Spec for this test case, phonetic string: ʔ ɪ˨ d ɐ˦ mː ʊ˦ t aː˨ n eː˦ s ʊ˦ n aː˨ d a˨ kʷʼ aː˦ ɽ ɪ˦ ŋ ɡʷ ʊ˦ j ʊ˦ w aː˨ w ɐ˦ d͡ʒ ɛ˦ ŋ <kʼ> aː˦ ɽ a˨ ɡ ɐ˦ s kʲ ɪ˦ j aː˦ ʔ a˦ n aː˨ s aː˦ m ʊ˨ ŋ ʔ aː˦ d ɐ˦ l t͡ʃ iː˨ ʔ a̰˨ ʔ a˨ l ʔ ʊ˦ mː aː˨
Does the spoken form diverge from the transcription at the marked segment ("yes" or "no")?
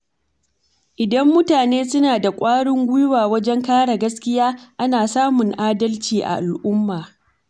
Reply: yes